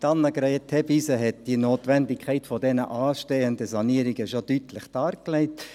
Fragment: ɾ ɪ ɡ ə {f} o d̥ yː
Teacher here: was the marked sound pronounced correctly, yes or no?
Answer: no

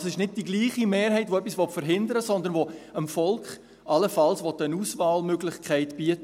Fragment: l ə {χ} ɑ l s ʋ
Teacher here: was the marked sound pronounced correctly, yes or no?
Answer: no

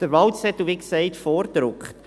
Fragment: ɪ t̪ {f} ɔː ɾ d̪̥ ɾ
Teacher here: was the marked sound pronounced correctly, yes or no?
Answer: yes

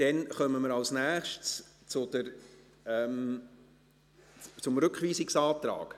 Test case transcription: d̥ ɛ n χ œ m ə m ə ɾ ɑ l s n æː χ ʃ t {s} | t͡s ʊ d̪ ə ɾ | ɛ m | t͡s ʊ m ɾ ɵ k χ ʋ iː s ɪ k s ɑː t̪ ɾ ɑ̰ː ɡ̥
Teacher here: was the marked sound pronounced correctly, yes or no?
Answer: yes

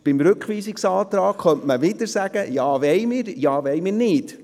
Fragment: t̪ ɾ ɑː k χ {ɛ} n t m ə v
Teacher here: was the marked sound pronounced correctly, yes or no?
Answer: no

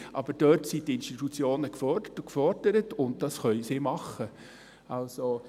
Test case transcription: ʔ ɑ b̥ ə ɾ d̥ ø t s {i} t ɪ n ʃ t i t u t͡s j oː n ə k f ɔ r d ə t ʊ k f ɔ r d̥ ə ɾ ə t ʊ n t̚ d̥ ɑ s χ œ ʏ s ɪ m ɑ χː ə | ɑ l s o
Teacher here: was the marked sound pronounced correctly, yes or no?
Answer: yes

